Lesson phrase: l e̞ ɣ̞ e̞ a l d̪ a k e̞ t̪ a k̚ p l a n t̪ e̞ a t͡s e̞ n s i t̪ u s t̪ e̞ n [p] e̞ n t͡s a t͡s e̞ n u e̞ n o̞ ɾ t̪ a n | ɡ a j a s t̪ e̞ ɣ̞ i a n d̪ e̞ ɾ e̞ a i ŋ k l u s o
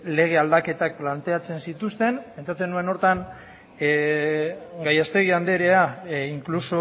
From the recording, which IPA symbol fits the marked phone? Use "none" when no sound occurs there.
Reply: p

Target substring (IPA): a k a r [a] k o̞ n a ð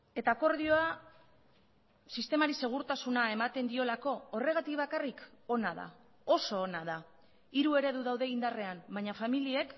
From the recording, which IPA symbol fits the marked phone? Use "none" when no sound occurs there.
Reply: i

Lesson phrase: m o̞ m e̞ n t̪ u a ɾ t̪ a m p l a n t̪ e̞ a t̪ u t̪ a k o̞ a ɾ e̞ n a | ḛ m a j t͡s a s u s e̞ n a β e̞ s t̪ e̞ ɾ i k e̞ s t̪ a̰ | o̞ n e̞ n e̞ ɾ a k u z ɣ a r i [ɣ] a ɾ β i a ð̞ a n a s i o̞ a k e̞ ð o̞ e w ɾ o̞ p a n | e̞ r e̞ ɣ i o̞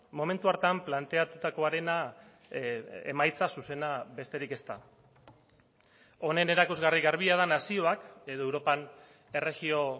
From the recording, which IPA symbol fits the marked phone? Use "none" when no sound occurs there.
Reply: ɣ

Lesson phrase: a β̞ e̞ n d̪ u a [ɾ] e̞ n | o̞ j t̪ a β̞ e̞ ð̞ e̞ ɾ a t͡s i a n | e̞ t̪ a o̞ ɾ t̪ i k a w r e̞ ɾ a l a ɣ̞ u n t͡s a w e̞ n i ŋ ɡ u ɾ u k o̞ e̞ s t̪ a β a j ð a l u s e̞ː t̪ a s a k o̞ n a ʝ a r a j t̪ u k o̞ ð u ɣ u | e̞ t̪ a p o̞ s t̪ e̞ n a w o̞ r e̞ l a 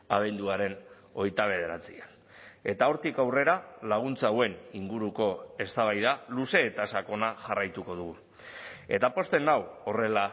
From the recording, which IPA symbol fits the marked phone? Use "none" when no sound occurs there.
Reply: ɾ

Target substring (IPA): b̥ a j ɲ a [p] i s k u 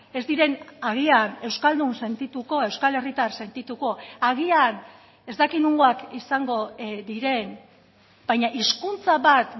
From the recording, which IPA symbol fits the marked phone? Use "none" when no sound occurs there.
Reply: ʔ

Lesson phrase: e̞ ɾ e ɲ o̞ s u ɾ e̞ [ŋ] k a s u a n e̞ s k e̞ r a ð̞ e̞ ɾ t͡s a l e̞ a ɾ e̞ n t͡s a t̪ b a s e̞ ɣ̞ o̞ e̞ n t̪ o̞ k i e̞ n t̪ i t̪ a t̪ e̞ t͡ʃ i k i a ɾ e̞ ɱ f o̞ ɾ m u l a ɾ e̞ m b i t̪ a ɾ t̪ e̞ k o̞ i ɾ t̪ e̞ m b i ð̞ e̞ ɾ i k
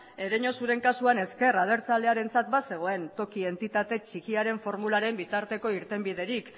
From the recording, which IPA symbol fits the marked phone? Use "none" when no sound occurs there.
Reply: ŋ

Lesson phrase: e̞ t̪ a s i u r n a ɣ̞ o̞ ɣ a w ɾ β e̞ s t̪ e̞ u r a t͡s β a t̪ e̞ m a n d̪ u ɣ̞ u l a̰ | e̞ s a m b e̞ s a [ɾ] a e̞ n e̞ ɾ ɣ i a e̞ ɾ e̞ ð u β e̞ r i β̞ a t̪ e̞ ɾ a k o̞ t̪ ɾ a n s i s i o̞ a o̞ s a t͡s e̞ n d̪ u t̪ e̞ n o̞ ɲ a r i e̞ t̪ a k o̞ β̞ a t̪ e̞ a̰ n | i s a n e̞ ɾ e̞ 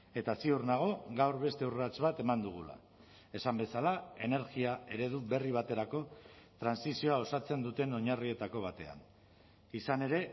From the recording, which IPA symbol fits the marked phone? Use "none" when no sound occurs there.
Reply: l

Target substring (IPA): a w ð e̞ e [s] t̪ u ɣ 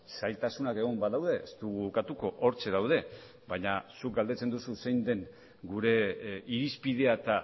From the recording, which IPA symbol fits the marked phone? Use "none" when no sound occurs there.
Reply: s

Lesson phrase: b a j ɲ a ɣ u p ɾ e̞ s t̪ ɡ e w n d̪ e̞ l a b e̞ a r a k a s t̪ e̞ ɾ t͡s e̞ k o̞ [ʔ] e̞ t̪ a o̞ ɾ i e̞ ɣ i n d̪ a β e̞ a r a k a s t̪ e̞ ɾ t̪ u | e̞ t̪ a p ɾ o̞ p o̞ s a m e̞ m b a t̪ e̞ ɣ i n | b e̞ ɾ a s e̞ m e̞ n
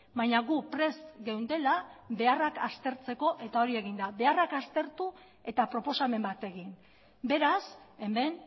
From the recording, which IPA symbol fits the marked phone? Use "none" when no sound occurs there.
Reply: ʔ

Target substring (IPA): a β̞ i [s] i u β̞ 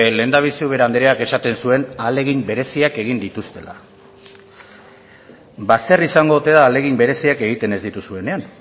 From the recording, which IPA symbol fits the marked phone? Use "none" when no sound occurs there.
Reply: s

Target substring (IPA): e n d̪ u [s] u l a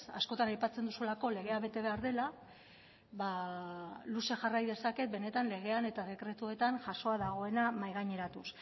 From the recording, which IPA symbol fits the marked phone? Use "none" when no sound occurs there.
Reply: s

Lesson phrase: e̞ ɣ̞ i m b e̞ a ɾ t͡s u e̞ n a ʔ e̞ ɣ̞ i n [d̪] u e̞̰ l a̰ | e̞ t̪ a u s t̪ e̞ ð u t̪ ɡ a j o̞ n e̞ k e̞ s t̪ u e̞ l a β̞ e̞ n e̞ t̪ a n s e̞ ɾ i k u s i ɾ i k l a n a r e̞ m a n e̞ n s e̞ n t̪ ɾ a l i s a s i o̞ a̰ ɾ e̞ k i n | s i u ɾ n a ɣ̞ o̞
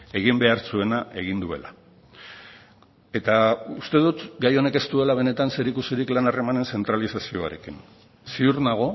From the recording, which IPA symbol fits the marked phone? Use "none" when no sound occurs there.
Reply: d̪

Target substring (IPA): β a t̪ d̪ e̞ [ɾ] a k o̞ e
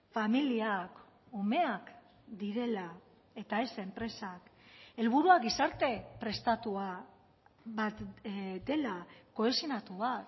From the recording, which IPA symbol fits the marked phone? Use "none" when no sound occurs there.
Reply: l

